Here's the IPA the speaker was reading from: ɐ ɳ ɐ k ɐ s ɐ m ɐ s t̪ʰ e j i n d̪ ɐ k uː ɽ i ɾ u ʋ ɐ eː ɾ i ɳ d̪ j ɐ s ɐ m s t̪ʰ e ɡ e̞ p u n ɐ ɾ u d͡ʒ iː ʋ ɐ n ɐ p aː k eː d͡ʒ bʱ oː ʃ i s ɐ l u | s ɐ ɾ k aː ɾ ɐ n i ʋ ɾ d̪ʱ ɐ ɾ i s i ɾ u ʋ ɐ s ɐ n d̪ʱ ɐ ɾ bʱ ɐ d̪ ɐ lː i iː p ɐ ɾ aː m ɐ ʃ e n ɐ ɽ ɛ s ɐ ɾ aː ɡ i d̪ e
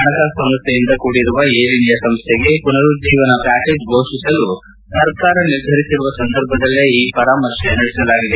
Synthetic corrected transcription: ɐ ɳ ɐ k ɐ s ɐ m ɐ s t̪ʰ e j i n d̪ ɐ k uː ɽ i ɾ u ʋ ɐ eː ɾ i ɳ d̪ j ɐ s ɐ m s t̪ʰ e ɡ e̞ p u n ɐ ɾ u d͡ʒ iː ʋ ɐ n ɐ p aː k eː d͡ʒ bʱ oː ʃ i s ɐ l u | s ɐ ɾ k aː ɾ ɐ n i ɾ d̪ʱ ɐ ɾ i s i ɾ u ʋ ɐ s ɐ n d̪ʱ ɐ ɾ bʱ ɐ d̪ ɐ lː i iː p ɐ ɾ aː m ɐ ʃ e n ɐ ɽ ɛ s ɐ l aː ɡ i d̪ e